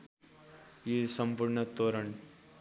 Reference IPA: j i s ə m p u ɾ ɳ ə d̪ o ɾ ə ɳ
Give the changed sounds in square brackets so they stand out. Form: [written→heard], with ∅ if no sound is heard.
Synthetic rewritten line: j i s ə m p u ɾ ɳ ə [d̪→t̪] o ɾ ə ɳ